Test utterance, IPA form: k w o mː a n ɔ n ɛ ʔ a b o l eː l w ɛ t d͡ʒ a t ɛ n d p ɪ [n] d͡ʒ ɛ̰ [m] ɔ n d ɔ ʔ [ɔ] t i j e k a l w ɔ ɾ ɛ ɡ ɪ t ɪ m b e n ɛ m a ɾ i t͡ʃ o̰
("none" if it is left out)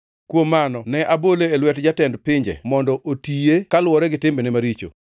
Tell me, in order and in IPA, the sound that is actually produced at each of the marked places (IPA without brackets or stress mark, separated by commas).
ɲ, m, o